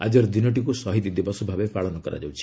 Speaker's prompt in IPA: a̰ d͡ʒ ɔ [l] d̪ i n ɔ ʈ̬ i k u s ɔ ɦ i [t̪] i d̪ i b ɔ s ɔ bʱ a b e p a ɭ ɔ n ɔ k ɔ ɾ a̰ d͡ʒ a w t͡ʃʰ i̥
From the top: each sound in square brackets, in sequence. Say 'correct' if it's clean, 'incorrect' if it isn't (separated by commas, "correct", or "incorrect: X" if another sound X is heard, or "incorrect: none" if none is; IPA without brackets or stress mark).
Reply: incorrect: ɾ, correct